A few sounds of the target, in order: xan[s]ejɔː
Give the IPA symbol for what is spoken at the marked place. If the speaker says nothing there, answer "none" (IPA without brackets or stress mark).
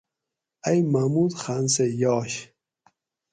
s